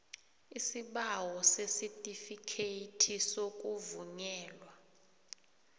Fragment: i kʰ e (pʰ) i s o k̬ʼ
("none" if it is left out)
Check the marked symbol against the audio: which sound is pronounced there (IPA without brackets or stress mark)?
tʰ